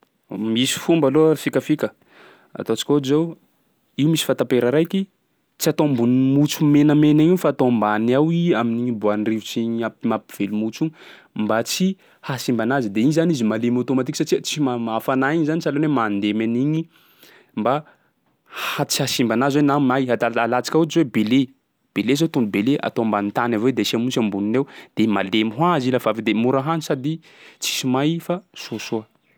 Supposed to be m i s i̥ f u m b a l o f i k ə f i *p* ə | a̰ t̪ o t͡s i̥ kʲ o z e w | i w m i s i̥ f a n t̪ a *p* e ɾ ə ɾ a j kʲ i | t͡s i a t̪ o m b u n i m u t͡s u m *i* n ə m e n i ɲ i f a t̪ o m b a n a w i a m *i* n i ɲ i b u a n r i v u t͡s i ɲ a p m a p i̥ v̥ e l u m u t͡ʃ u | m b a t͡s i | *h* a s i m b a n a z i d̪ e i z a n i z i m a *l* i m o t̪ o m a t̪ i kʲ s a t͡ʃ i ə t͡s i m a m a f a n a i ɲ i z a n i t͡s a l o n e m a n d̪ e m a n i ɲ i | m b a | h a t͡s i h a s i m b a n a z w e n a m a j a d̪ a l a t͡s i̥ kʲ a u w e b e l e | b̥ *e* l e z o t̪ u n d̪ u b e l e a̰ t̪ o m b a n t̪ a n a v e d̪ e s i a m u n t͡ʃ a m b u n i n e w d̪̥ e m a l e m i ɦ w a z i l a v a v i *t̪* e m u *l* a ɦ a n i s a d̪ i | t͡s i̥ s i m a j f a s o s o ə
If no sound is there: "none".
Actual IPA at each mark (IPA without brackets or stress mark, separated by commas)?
k, p, e, i, h, l, e, d̪, ɾ